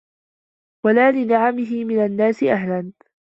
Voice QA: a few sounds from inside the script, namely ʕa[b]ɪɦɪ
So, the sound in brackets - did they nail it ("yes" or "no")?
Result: no